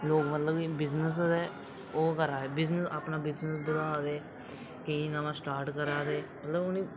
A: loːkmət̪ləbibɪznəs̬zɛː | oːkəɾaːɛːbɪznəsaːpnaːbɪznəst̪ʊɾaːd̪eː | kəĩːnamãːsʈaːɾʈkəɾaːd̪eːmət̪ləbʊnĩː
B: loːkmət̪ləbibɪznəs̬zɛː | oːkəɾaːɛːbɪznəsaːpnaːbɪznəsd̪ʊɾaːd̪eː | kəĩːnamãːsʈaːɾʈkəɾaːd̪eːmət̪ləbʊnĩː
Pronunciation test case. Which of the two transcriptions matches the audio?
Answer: B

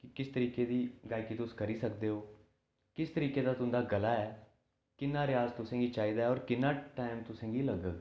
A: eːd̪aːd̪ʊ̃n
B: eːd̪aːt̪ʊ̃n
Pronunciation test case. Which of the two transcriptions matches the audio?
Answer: B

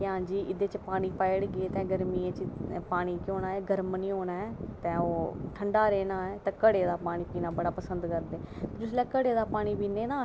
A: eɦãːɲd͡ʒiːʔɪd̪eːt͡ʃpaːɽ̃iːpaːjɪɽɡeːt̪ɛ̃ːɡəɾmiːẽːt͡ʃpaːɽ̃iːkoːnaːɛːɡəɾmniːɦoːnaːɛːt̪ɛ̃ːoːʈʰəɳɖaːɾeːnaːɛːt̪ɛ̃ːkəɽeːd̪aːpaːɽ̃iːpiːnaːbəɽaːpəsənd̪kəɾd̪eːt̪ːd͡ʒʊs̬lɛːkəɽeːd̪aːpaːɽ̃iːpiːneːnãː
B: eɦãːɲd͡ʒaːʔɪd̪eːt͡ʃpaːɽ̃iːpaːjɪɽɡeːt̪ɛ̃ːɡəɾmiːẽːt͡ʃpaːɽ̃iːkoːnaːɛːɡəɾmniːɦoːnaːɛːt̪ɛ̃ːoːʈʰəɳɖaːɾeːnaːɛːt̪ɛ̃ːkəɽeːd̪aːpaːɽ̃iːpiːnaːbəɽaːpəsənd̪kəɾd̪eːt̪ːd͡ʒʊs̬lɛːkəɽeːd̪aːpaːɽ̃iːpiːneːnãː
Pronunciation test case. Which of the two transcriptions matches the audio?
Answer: A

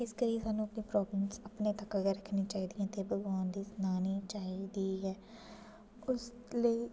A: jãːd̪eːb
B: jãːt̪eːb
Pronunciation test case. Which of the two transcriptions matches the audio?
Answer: B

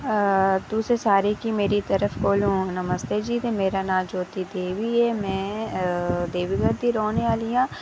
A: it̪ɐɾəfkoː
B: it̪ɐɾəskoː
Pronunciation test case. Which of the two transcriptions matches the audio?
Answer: A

